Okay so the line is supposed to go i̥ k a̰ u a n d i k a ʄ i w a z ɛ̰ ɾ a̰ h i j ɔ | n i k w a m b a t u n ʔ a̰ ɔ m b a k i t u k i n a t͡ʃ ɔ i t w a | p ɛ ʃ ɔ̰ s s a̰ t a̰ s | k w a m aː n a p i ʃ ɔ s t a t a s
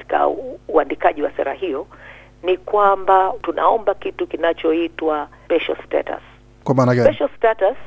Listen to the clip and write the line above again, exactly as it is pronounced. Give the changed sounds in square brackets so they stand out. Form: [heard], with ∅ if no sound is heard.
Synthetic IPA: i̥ k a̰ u a n d i k a ʄ i w a [s] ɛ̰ ɾ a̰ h i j ɔ | n i k w a m b a t u n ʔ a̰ ɔ m b a k i t u k i n a t͡ʃ ɔ i t w a | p ɛ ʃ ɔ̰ s [t] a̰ t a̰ s | k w a m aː n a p [ɛ] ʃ ɔ s t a t a s